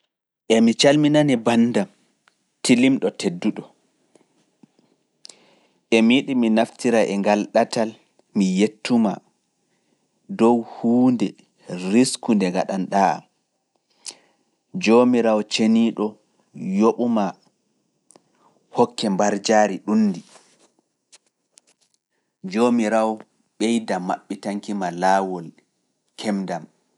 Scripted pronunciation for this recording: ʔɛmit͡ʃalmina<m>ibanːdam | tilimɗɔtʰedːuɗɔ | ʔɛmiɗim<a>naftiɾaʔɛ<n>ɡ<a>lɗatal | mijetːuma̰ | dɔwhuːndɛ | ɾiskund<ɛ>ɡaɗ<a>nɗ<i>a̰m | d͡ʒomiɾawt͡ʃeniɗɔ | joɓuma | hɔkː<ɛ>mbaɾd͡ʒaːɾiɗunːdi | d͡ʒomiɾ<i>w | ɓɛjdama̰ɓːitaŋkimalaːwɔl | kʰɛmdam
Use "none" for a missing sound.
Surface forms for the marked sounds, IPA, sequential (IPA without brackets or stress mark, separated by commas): n, i, ŋ, a, ɛ, a, a, ɛ, a